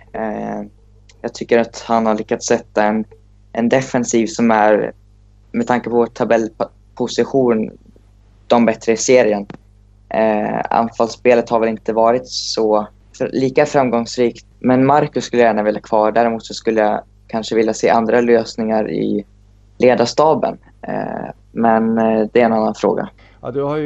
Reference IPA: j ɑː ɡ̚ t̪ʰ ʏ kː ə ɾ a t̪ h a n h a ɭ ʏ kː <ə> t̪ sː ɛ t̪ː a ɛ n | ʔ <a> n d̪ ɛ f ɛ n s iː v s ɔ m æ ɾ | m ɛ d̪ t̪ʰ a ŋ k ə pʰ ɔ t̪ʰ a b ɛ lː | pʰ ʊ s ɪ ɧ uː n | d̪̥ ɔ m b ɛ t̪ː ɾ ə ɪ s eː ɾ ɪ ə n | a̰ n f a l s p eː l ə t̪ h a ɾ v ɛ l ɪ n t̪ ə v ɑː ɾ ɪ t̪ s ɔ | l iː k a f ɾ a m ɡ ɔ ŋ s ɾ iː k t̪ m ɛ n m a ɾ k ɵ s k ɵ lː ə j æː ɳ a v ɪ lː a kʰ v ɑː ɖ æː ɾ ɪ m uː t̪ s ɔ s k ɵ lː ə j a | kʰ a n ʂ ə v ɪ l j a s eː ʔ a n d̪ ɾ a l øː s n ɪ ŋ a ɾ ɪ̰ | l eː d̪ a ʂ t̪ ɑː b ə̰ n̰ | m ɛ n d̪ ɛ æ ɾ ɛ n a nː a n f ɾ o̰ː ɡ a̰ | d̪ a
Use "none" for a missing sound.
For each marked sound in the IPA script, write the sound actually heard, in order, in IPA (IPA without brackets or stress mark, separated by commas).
a, ɛ